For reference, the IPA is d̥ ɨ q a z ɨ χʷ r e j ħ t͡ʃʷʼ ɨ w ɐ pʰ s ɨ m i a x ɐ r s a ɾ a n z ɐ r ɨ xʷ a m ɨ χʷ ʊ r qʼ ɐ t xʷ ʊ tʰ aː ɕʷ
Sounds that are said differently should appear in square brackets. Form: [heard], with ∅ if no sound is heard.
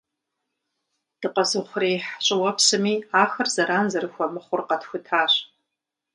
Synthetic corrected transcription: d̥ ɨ q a z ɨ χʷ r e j ħ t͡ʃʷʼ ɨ w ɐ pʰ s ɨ m i a x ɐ r [z] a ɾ a n z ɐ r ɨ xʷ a m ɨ χʷ ʊ r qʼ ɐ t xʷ ʊ tʰ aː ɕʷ